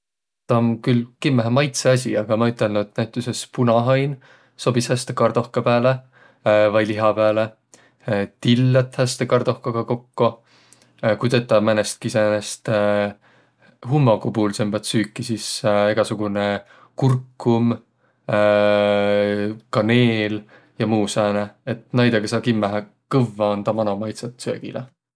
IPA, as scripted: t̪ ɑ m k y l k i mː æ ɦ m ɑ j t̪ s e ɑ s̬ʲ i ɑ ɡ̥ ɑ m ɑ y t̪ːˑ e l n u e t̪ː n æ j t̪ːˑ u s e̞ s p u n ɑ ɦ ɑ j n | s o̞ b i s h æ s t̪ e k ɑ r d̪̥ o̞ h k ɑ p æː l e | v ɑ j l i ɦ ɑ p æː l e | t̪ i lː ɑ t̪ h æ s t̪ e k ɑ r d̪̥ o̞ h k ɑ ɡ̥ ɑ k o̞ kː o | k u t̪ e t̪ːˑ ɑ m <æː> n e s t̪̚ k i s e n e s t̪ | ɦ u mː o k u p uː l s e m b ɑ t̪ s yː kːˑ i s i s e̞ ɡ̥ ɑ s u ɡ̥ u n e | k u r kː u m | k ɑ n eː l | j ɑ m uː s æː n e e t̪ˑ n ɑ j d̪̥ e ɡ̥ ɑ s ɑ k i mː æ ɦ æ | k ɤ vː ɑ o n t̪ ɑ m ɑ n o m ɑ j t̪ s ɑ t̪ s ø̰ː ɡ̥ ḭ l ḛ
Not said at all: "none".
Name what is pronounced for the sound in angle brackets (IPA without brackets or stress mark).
æ